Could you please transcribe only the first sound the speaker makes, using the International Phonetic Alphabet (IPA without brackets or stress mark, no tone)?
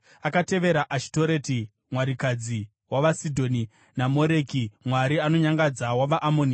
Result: a